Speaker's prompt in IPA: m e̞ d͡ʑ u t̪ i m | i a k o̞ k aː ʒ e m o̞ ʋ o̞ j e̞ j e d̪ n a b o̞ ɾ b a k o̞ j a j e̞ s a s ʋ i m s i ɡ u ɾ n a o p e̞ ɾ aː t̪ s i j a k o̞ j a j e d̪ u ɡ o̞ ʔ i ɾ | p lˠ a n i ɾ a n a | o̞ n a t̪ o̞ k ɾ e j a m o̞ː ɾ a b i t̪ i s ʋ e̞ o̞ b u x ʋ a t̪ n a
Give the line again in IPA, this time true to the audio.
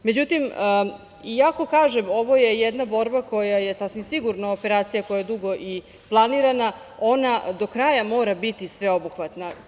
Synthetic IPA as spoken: m e̞ d͡ʑ u t̪ i m | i a k o̞ k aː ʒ e m o̞ ʋ o̞ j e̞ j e d̪ n a b o̞ ɾ b a k o̞ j a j e̞ s a s ʋ i m s i ɡ u ɾ n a o p e̞ ɾ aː t̪ s i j a k o̞ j a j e d̪ u ɡ o̞ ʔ i | p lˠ a n i ɾ a n a | o̞ n a d̪ o̞ k ɾ a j a m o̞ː ɾ a b i t̪ i s ʋ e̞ o̞ b u x ʋ a t̪ n a